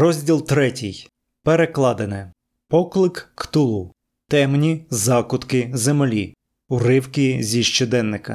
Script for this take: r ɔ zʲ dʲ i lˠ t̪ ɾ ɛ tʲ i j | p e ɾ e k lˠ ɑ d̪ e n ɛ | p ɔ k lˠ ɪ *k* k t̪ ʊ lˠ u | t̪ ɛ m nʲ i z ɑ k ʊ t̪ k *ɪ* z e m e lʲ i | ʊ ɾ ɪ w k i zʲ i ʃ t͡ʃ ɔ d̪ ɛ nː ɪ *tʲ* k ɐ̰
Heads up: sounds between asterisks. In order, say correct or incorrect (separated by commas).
correct, correct, incorrect